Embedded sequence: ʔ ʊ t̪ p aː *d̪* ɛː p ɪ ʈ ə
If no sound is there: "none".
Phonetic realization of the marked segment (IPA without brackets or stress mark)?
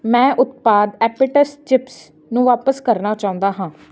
d̪